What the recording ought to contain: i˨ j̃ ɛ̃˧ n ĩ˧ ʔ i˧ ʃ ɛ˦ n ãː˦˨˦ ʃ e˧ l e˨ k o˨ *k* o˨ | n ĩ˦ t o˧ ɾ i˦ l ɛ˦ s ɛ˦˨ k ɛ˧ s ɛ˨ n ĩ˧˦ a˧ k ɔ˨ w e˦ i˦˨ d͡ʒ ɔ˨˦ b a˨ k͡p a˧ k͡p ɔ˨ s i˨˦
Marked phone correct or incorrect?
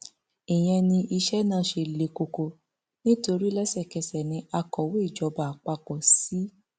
correct